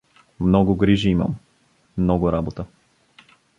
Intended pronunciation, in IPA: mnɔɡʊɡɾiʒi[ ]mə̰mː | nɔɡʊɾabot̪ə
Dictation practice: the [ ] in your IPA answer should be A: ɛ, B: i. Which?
B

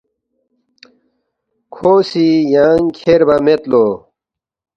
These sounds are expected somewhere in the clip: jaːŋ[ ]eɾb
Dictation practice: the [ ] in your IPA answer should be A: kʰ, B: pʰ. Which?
A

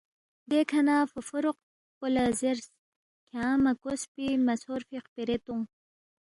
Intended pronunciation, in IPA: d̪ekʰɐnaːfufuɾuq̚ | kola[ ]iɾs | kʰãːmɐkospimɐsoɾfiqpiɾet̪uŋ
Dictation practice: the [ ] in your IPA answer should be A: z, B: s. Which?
A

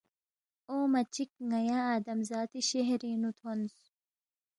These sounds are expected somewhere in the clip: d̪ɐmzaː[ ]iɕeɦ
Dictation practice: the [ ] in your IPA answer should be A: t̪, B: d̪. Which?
A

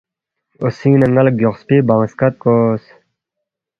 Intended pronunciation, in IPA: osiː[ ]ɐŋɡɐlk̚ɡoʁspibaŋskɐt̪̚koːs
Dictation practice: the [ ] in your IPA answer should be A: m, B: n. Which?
B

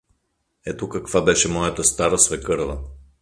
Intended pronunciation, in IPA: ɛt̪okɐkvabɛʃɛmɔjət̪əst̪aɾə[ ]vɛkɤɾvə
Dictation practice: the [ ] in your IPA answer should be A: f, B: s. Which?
B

